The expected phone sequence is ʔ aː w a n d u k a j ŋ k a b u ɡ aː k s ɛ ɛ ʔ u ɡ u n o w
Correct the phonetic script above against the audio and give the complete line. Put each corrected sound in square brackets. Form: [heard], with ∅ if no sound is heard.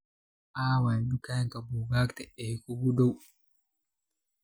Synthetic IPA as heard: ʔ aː w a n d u k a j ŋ k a b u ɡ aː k [t] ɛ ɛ [k] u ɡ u [d] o w